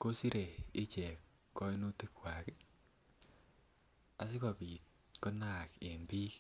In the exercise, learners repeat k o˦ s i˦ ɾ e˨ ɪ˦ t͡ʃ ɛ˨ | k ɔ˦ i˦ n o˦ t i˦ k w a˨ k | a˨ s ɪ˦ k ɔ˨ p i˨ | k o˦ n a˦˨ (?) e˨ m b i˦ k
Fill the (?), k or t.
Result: k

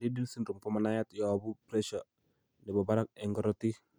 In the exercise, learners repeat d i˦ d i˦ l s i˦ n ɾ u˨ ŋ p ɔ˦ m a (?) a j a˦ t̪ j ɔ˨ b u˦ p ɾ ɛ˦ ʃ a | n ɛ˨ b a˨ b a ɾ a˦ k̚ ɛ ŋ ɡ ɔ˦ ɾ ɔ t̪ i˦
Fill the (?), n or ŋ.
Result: n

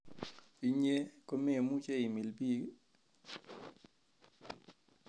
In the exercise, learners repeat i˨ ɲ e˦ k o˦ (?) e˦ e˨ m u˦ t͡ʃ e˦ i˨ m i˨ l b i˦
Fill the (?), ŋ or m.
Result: m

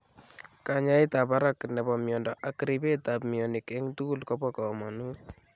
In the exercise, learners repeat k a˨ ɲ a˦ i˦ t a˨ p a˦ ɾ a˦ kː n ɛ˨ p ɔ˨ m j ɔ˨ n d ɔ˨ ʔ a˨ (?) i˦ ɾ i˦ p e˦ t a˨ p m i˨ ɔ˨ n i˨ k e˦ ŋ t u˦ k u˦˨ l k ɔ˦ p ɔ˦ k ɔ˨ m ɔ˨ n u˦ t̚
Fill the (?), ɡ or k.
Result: k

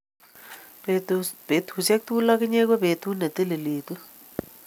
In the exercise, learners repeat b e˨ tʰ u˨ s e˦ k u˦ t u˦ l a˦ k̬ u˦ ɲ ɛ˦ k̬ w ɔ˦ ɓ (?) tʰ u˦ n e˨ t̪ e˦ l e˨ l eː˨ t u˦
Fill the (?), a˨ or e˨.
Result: e˨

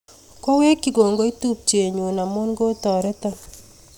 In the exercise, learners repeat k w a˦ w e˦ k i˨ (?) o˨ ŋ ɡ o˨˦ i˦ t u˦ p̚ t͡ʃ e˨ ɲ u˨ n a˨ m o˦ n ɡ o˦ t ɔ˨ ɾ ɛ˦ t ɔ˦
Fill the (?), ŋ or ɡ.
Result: ɡ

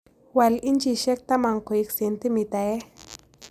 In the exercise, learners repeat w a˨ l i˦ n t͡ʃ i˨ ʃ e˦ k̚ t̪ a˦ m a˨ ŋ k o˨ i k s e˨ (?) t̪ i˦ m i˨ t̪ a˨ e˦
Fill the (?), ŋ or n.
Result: n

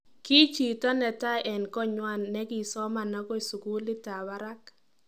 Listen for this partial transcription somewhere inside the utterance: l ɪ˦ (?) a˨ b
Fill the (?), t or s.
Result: t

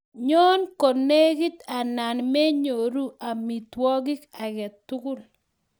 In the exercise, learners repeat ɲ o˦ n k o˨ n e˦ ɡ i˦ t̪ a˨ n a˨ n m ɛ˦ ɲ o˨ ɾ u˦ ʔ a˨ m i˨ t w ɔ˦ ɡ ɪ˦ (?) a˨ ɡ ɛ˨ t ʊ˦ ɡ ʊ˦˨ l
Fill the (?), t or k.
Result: k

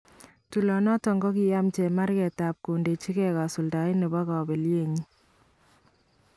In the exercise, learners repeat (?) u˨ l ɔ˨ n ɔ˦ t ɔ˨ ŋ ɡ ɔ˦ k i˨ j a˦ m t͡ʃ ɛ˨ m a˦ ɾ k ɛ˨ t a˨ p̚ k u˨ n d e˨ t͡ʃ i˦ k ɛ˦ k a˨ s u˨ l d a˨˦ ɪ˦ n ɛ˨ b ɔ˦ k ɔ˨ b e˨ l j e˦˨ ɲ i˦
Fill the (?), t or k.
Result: t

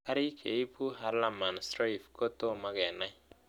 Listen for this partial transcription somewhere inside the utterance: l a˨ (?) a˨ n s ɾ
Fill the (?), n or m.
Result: m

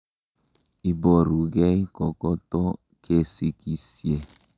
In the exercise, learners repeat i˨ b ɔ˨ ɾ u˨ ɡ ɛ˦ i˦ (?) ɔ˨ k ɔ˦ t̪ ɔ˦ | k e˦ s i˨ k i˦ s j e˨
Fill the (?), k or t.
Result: k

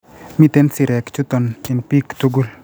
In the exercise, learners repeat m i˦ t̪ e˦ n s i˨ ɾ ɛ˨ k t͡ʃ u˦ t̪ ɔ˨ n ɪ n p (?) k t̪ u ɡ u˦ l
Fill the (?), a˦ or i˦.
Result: i˦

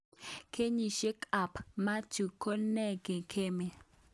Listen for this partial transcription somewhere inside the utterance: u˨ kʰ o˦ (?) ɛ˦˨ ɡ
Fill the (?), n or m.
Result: n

